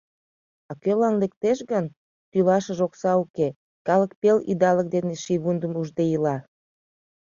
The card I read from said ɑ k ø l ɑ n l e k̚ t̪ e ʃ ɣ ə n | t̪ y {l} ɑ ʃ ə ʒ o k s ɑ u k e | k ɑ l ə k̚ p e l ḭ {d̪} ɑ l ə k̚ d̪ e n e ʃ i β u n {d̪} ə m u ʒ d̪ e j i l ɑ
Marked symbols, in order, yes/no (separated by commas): yes, yes, yes